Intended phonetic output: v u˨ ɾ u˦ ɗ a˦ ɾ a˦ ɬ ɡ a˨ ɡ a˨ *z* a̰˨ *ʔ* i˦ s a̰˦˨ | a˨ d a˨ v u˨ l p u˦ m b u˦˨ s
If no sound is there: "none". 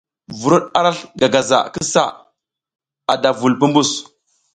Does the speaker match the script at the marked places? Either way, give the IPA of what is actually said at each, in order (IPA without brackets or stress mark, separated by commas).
z, k